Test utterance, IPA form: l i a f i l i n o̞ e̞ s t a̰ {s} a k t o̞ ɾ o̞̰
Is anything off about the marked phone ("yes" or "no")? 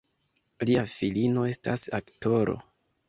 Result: no